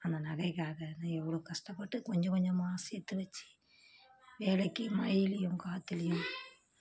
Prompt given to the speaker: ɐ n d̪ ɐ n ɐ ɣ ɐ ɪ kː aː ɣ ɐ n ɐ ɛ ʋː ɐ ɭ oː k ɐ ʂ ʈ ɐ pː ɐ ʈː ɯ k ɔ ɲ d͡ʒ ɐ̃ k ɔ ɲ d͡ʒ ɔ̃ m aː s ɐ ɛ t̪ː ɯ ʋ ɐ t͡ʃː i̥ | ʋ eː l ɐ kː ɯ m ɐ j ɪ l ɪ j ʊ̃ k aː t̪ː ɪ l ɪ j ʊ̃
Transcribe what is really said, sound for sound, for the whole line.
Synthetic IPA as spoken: ɐ n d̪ ɐ n ɐ ɣ ɐ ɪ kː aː ɣ ɐ n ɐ ɛ ʋː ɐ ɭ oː k ɐ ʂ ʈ ɐ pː ɐ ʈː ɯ k ɔ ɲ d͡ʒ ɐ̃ k ɔ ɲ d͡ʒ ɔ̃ m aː s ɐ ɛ t̪ː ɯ ʋ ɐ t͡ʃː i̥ | ʋ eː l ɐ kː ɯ m ɐ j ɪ l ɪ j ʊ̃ k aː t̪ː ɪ l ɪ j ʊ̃